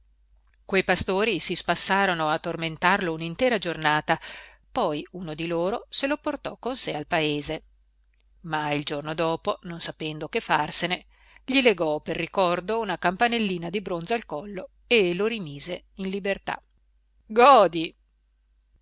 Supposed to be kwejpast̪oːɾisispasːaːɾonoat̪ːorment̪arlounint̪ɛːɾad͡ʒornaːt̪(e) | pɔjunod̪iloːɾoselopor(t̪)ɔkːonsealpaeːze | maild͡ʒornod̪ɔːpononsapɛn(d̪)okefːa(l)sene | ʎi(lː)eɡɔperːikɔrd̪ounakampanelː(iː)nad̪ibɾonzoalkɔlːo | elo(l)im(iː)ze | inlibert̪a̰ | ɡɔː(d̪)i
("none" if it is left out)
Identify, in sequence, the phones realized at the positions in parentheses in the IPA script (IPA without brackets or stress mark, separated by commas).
a, t̪, d̪, r, l, iː, ɾ, iː, d̪